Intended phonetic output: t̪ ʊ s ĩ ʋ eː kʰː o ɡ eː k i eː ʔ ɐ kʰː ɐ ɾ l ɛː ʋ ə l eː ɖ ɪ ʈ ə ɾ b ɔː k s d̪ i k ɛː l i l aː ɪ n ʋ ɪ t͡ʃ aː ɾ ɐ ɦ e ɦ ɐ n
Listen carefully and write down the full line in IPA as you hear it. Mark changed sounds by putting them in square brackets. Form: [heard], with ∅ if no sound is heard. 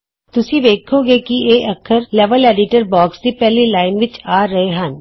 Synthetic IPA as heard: t̪ ʊ s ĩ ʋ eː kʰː o ɡ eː k i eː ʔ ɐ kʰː [ə] ɾ l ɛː ʋ ə l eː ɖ ɪ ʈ ə ɾ b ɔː k s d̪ i [p] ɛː l i l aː ɪ n ʋ ɪ t͡ʃ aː ɾ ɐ ɦ e ɦ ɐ n